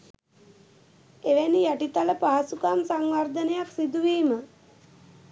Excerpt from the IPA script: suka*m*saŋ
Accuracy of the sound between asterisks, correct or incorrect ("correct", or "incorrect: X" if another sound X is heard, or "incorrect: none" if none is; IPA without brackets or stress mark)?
correct